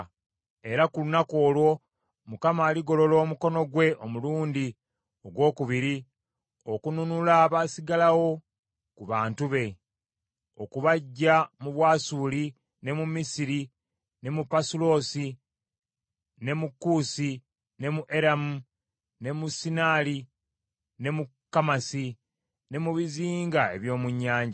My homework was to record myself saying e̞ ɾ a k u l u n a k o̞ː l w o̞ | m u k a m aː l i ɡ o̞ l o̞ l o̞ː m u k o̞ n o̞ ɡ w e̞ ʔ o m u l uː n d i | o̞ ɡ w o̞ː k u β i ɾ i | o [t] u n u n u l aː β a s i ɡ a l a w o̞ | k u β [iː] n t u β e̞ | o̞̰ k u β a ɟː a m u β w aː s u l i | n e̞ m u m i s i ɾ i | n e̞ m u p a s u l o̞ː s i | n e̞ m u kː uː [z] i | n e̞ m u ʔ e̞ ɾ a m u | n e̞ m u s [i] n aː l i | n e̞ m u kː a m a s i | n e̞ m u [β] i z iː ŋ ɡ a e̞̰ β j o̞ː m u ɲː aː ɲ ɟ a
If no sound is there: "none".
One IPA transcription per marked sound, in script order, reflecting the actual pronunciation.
k, aː, s, i, β

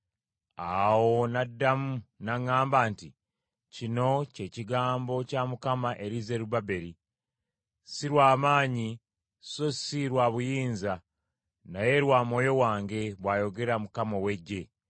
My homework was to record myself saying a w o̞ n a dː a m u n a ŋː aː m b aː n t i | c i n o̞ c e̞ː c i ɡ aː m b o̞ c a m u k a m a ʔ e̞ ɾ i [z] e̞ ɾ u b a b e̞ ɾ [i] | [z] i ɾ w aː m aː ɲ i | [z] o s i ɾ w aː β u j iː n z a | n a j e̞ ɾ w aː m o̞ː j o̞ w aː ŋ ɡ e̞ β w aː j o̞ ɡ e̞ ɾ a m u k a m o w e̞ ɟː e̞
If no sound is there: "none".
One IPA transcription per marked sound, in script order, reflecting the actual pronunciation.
z, i, s, s

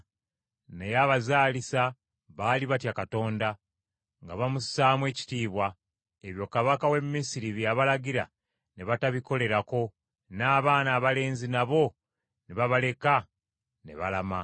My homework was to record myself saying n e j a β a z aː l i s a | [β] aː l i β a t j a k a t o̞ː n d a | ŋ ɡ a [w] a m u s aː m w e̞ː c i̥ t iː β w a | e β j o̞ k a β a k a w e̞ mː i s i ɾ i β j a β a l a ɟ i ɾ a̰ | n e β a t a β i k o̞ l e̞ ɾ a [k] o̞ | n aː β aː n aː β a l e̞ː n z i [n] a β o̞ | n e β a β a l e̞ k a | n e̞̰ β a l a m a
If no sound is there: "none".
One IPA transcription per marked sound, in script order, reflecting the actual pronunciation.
β, β, k, n

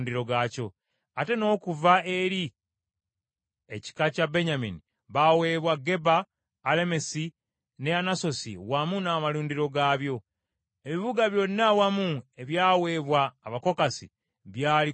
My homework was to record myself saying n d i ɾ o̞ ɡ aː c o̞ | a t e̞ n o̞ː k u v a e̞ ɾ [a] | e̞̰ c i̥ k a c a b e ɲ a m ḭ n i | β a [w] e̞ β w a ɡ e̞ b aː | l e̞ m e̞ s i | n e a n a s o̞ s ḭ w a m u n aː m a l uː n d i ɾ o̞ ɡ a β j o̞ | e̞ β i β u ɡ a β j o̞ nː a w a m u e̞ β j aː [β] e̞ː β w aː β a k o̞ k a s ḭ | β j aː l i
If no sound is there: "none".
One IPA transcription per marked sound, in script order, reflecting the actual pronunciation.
i, w, w

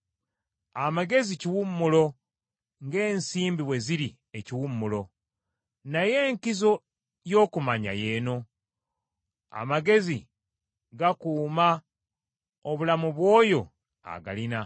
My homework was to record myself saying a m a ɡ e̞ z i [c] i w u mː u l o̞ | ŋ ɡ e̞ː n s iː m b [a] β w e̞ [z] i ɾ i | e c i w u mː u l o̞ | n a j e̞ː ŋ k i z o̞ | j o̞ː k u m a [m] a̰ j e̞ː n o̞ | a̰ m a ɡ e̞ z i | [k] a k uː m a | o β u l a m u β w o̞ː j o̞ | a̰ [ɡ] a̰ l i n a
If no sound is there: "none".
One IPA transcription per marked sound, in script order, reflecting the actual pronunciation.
c, i, z, ɲ, ɡ, ɡ

